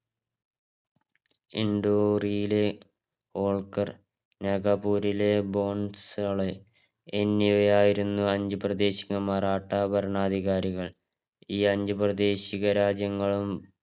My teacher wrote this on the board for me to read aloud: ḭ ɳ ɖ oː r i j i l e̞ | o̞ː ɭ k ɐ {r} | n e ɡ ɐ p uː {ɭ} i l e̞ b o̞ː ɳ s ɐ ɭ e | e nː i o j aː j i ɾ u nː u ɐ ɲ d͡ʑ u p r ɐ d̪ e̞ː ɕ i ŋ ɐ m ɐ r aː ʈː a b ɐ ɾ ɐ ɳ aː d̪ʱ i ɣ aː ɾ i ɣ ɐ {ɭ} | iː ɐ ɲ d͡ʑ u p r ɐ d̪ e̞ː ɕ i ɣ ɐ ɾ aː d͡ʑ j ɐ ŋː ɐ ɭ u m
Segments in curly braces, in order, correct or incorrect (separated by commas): correct, incorrect, correct